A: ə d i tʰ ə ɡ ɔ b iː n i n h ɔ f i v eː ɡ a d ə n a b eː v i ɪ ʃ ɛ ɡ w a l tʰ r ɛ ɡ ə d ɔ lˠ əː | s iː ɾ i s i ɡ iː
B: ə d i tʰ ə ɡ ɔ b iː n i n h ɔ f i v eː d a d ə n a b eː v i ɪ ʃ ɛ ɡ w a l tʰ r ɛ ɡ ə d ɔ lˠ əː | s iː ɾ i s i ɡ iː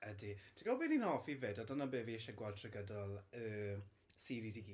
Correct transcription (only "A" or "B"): B